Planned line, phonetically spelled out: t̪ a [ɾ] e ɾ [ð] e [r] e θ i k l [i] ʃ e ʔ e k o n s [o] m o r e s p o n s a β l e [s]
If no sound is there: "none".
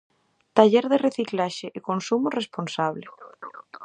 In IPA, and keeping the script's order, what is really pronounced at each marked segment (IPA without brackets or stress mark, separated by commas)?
ʎ, ð, r, a, u, none